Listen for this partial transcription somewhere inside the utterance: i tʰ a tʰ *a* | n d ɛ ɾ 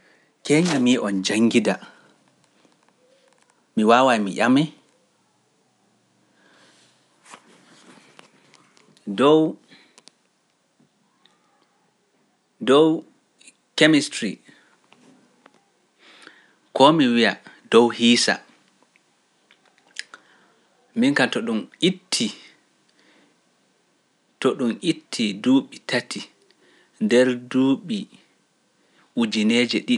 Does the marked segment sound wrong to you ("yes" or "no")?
yes